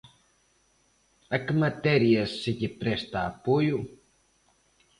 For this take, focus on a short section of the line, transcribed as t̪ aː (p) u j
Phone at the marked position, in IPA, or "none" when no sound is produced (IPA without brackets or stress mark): p